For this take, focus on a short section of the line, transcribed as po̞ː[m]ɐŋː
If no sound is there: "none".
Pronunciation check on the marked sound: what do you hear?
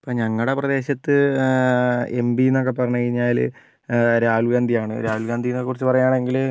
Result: ɲ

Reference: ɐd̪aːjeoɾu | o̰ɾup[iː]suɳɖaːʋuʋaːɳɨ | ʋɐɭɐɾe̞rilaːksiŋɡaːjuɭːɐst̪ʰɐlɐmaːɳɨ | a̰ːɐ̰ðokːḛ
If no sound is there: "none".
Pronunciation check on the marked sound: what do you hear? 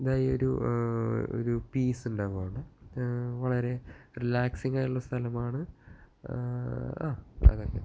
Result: iː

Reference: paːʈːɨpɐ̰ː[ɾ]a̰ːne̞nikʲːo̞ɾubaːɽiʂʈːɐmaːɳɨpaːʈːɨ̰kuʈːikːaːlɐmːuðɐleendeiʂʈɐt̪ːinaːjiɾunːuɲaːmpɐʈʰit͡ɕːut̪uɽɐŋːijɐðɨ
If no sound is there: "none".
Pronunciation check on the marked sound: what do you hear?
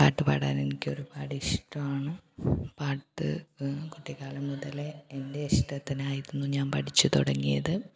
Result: ɽ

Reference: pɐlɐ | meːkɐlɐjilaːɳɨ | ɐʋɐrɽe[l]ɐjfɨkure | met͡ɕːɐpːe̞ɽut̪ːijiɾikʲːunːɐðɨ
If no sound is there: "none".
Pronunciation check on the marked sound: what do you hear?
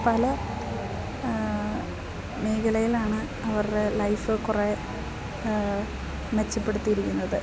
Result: l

